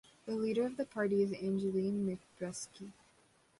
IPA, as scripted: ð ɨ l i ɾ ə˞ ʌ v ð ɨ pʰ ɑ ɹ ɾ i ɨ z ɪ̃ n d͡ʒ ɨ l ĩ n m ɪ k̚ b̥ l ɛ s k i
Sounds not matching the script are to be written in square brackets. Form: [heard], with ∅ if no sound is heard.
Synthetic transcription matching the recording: ð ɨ l i ɾ ə˞ ʌ v ð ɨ pʰ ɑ ɹ ɾ i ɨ z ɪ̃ n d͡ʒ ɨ l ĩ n m ɪ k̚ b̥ [ɹ] ɛ s k i